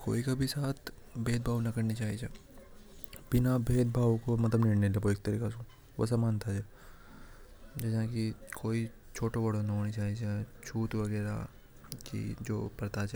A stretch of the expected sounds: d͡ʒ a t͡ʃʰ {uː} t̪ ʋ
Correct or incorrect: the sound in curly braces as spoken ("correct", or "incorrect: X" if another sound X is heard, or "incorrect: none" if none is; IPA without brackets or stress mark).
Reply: correct